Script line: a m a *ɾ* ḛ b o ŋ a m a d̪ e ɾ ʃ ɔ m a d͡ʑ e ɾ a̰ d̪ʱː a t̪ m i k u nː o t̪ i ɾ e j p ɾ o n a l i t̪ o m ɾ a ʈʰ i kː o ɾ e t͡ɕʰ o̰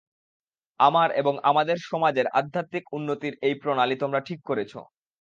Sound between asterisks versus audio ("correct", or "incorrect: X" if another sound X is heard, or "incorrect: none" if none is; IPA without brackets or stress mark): correct